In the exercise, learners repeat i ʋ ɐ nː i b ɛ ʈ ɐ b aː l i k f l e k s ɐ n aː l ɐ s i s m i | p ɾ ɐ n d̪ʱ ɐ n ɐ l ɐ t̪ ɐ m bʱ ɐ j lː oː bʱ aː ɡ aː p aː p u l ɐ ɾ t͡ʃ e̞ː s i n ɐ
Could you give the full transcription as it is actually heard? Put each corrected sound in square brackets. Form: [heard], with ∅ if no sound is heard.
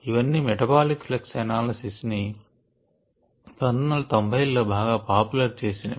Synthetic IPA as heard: i ʋ ɐ nː i [m] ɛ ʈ ɐ b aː l i k f l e k s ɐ n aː l ɐ s i s [n] i | p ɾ ɐ n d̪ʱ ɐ n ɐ l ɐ t̪ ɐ m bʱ ɐ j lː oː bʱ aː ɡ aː p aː p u l ɐ ɾ t͡ʃ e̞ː s i n ɐ